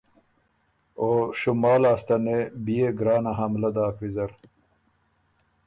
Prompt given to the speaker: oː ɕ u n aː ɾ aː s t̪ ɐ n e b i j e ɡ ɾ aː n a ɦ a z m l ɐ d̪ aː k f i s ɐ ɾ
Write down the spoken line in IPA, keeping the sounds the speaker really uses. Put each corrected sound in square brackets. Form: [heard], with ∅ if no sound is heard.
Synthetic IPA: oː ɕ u [m] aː [l] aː s t̪ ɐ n e b i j e ɡ ɾ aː n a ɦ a [∅] m l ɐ d̪ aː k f i [z] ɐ ɾ